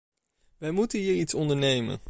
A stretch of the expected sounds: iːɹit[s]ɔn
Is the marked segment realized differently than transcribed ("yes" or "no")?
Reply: no